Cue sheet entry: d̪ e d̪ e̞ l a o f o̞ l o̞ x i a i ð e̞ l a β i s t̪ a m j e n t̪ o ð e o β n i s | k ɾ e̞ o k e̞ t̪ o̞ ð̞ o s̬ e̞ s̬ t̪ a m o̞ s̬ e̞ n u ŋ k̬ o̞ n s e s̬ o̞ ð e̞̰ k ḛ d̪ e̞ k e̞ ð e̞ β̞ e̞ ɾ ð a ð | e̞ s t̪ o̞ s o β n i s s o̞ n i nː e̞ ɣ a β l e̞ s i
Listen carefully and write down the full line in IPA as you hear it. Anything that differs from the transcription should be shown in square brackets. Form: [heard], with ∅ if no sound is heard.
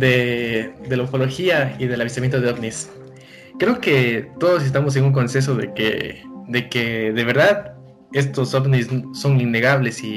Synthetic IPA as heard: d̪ e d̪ e̞ l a o f o̞ l o̞ x i a i ð e̞ l a β i s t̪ a m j e n t̪ o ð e o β n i s | k ɾ e̞ o k e̞ t̪ o̞ ð̞ o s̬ e̞ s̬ t̪ a m o̞ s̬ e̞ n u ŋ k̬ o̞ n s e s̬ o̞ ð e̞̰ k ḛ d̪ e̞ k e̞ ð e̞ β̞ e̞ ɾ ð a ð | e̞ s t̪ o̞ s o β n i s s o̞ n i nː e̞ ɣ a β l e̞ s i